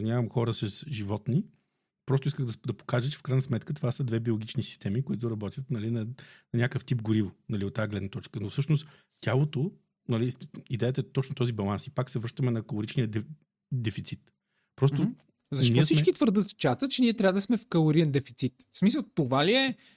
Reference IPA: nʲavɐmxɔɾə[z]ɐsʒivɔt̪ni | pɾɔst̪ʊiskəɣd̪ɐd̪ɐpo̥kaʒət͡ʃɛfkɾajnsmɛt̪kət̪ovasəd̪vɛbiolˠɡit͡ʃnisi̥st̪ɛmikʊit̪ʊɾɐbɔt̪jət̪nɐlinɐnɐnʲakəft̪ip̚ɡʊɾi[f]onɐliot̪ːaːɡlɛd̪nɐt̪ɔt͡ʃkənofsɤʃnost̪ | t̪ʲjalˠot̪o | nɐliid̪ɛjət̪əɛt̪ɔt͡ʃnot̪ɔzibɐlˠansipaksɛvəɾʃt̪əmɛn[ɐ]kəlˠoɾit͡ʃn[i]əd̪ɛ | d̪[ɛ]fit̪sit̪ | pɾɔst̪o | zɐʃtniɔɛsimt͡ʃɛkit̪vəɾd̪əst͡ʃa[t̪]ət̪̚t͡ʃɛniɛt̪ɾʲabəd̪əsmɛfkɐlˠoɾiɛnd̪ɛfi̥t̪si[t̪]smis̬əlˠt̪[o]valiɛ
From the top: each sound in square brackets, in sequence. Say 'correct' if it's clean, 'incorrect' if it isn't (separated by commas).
incorrect, incorrect, correct, correct, correct, correct, correct, correct